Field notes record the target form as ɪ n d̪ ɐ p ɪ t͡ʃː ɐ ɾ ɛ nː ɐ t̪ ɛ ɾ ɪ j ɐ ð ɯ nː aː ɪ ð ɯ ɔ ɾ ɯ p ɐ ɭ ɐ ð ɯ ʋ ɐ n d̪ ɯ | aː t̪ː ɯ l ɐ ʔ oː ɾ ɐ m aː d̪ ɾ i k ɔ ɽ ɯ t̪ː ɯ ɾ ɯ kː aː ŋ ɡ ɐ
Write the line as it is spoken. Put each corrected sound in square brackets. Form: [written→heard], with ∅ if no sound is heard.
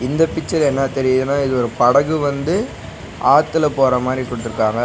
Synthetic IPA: ɪ n d̪ ɐ p ɪ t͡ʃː ɐ ɾ ɛ nː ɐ t̪ ɛ ɾ ɪ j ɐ ð ɯ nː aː ɪ ð ɯ ɔ ɾ ɯ p ɐ [ɭ→ɽ] ɐ [ð→ɣ] ɯ ʋ ɐ n d̪ ɯ | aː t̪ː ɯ l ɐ [ʔ→p] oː ɾ ɐ m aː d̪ ɾ i k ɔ ɽ ɯ t̪ː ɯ ɾ ɯ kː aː ŋ ɡ ɐ